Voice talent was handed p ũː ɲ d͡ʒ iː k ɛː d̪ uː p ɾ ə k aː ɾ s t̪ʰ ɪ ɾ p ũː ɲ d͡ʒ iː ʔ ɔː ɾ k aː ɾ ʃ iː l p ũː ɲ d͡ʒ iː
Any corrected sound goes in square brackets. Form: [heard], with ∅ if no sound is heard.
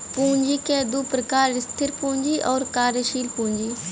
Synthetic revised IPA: p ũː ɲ d͡ʒ iː k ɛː d̪ uː p ɾ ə k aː ɾ s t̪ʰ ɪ ɾ p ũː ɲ d͡ʒ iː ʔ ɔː ɾ k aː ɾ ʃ iː l p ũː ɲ d͡ʒ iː